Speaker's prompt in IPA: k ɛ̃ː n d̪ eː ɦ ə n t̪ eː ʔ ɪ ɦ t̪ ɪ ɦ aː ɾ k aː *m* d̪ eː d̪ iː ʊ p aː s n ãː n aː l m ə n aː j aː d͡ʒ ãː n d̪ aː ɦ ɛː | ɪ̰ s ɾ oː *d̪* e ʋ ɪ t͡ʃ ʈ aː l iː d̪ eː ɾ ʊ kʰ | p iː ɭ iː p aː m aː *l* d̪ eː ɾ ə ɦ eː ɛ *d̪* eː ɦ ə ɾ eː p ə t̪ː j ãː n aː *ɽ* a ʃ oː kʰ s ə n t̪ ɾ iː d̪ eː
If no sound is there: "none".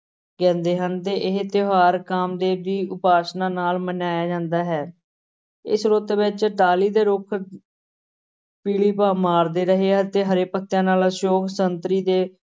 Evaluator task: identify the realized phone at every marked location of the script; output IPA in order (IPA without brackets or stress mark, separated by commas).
m, t̪, ɾ, t̪, l